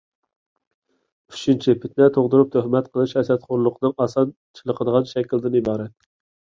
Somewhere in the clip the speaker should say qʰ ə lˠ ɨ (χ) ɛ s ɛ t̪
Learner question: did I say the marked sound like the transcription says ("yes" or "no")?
no